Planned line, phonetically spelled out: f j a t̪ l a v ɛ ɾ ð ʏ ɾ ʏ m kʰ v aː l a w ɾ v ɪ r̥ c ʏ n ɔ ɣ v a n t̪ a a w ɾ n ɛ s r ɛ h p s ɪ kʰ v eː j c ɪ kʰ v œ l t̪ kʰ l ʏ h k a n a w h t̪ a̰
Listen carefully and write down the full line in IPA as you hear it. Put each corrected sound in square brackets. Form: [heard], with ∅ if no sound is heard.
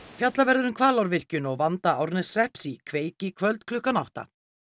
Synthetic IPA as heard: f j a t̪ l a v ɛ ɾ ð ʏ ɾ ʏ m kʰ v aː l a w ɾ v ɪ r̥ c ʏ n ɔ ɣ v a n t̪ a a w ɾ n ɛ s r ɛ h p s [i] kʰ v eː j c ɪ kʰ v œ l t̪ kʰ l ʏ h k a n a w h t̪ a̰